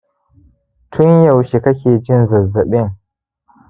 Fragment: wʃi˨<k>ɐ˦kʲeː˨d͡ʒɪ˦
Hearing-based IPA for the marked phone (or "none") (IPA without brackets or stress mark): k